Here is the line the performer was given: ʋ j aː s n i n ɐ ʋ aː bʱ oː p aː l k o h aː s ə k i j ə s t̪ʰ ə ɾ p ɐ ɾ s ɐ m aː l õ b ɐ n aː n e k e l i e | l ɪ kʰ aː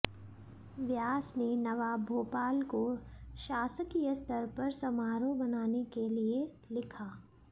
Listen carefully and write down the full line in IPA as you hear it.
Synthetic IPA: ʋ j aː s n e n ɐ ʋ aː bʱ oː p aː l k o ʃ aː s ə k i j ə s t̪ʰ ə ɾ p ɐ ɾ s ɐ m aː ɾ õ b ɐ n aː n e k e l i e | l ɪ kʰ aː